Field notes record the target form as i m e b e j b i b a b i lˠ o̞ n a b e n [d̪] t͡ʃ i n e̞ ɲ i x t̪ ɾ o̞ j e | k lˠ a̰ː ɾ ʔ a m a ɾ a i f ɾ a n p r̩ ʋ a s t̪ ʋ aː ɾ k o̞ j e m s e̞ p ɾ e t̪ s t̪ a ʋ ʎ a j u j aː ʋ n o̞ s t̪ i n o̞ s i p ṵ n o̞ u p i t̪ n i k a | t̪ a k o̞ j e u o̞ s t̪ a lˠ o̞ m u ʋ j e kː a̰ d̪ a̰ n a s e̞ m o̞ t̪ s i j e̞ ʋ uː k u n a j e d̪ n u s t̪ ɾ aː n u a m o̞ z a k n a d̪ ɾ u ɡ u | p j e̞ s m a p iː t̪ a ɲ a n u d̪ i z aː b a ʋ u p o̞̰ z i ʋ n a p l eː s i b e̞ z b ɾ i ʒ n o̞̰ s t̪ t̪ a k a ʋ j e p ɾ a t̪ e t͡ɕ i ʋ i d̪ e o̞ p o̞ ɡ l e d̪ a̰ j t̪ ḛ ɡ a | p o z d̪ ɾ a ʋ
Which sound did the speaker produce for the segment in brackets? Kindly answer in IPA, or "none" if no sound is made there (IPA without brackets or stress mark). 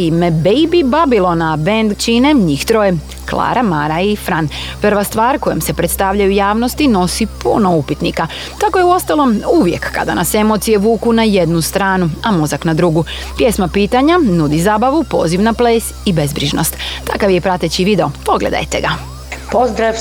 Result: d̪